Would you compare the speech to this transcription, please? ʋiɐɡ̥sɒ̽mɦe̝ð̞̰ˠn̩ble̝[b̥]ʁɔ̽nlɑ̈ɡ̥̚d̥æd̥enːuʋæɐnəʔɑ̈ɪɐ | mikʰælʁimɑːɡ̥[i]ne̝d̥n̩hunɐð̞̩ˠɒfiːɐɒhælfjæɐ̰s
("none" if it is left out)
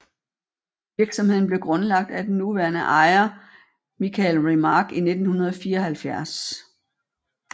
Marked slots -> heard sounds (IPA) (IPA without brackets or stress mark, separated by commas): ɡ̥, i